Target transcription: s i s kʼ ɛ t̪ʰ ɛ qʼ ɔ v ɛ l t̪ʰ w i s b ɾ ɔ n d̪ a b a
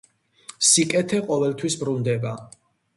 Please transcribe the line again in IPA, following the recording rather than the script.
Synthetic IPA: s i kʼ ɛ t̪ʰ ɛ qʼ ɔ v ɛ l t̪ʰ w i s b ɾ u n d̪ ɛ b a